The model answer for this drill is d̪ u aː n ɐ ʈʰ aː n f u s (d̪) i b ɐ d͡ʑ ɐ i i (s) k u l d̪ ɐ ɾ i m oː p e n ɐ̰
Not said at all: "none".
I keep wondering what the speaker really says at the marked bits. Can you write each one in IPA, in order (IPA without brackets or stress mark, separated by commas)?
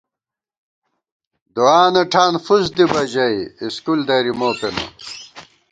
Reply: d̪, s